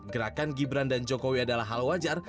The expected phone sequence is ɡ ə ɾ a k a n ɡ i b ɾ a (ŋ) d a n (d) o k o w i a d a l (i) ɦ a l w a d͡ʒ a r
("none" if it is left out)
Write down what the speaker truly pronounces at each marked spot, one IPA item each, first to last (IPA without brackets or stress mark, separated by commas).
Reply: n, d͡ʒ, a